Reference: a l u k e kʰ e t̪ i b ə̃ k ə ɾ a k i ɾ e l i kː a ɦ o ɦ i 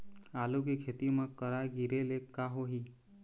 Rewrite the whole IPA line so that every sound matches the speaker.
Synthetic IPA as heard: a l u k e kʰ e t̪ i m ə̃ k ə ɾ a ɡ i ɾ e l e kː a ɦ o ɦ i